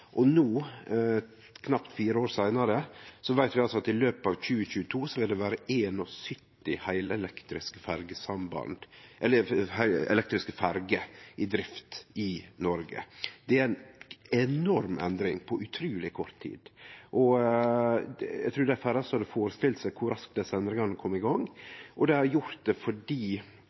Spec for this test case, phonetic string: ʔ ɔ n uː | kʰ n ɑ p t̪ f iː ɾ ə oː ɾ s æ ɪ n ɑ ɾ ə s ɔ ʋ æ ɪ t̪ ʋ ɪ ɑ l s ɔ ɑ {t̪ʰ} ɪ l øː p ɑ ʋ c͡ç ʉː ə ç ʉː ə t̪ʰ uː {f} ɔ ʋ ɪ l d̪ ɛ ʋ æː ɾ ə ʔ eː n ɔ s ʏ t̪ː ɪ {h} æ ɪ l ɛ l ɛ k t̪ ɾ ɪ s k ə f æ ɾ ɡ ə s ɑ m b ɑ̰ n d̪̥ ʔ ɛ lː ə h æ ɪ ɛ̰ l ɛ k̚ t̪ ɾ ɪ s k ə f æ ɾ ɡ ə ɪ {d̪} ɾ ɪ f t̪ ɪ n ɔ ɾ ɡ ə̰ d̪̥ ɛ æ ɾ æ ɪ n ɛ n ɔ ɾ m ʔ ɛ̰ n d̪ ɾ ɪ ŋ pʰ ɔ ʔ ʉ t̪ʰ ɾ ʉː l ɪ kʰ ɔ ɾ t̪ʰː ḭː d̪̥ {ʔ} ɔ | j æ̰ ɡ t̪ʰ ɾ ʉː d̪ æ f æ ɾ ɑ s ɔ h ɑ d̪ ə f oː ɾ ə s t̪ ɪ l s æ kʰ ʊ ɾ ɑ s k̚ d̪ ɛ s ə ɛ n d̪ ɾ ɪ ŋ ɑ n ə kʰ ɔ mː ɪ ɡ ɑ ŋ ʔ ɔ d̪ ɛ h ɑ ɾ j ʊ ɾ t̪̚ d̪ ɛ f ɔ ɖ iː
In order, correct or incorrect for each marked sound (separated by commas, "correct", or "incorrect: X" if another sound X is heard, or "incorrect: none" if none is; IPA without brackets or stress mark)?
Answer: incorrect: t̪, incorrect: s, correct, correct, correct